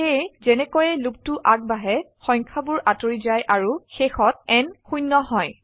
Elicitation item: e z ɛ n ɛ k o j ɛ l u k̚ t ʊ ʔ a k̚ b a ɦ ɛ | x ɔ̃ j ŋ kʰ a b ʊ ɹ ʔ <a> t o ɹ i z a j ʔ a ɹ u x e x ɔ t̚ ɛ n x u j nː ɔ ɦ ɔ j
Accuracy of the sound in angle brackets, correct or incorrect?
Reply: correct